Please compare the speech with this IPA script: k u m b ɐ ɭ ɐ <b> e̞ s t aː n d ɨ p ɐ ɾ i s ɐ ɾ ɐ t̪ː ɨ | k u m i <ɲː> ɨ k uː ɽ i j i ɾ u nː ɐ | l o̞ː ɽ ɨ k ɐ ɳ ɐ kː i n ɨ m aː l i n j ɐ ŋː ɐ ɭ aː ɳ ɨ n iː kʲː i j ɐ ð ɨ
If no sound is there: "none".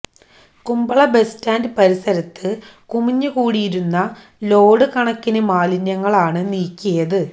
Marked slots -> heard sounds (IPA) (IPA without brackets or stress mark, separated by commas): b, ɲː